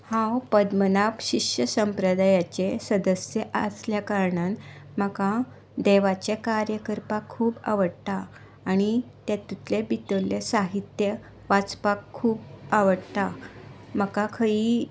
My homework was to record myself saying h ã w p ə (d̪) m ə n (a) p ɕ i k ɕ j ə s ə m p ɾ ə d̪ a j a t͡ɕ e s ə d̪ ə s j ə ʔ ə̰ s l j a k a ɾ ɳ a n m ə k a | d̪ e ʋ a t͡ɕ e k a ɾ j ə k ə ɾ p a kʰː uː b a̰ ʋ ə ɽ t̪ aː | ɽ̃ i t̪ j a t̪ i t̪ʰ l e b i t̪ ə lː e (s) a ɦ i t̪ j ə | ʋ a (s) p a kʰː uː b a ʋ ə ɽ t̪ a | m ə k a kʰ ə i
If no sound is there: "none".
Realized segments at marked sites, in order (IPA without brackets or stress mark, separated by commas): d̪, a, s, t͡s